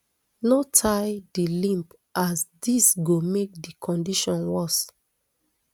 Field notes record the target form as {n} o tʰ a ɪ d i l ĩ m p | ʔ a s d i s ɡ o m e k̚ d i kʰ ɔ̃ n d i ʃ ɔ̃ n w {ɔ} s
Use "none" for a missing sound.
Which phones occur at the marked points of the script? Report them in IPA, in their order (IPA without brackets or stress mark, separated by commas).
n, ɔ